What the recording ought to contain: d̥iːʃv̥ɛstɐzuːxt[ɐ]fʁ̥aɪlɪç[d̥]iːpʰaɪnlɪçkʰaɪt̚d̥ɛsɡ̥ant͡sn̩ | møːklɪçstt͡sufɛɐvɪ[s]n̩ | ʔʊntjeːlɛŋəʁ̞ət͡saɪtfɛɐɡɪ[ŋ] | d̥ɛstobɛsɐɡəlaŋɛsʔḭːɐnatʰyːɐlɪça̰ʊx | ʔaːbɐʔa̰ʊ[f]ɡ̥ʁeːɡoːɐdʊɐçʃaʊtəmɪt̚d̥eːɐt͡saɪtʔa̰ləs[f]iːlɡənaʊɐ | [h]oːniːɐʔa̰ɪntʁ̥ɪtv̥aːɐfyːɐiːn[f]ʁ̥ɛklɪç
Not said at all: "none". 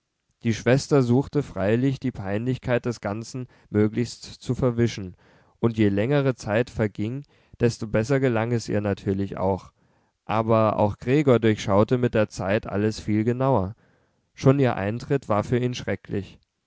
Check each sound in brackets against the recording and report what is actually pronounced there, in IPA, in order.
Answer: ə, d̥, ʃ, ŋ, x, f, ʃ, ʃ

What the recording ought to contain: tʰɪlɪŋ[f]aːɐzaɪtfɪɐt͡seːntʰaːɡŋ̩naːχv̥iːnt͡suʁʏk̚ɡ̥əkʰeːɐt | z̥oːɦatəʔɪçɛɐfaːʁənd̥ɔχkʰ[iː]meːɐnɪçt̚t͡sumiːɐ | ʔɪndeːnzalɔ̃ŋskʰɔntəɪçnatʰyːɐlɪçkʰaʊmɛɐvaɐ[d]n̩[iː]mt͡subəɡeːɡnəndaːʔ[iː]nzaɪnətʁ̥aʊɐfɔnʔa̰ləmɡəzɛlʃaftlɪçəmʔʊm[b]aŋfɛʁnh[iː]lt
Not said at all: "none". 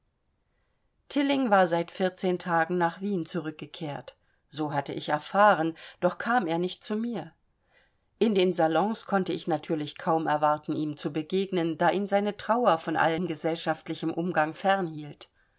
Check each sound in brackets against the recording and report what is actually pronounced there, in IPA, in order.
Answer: v, aː, t, iː, iː, ɡ, iː

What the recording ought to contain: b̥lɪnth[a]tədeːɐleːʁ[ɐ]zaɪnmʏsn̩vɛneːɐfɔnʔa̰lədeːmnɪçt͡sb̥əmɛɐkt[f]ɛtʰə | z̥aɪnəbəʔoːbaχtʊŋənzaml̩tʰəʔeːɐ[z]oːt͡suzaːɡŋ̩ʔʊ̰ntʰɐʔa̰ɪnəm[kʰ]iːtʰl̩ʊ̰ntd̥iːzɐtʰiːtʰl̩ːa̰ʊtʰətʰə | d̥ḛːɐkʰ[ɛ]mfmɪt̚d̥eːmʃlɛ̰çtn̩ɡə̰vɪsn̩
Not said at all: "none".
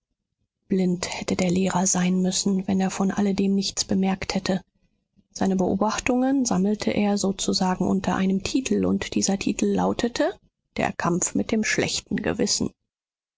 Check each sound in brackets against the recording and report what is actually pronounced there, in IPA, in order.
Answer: ɛ, ɐ, h, z, tʰ, a

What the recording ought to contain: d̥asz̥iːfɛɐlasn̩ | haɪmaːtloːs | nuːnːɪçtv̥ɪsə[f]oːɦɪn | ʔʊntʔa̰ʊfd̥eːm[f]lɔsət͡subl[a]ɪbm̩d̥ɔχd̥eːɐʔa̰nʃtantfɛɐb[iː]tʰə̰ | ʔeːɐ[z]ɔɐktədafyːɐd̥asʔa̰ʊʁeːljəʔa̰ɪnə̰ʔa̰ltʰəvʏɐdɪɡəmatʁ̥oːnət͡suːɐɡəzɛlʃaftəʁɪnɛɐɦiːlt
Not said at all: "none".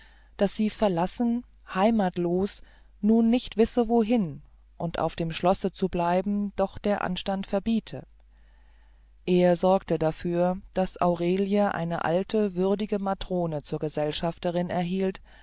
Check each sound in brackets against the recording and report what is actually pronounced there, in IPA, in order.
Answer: v, ʃ, a, iː, z

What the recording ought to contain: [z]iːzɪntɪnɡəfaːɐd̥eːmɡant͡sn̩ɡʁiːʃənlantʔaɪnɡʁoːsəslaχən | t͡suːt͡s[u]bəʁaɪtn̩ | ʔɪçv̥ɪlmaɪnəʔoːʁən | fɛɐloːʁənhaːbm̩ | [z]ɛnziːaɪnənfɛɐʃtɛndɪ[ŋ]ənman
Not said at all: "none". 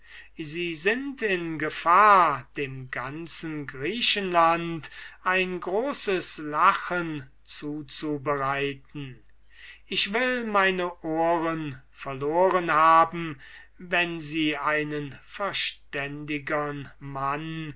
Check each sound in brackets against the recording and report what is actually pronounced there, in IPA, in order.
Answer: z, u, v, ɡ

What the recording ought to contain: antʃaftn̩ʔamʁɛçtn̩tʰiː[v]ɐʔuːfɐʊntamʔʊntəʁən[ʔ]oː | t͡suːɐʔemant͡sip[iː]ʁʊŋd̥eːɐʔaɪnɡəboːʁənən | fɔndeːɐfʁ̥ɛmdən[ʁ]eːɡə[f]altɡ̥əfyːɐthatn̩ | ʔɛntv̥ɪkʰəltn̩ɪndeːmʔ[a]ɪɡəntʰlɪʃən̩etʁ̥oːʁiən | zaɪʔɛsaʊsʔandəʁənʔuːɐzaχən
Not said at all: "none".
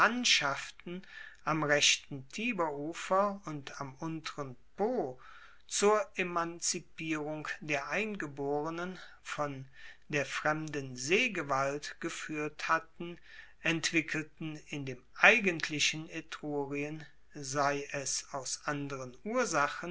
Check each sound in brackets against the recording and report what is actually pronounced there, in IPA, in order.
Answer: b, p, iː, z, v, a

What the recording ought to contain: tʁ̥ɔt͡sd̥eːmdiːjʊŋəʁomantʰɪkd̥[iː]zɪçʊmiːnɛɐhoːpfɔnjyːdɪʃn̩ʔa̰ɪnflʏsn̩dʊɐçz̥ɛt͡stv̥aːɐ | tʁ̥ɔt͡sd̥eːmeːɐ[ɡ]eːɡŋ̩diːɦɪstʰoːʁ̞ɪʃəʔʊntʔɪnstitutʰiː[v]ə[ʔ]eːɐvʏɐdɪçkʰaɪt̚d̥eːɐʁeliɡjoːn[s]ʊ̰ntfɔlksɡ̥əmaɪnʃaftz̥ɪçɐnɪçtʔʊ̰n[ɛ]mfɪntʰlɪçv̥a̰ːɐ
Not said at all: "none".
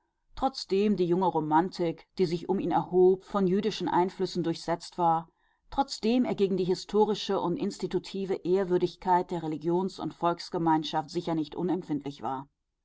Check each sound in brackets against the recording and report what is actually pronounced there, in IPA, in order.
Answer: iː, ɡ, v, ʔ, s, ɛ

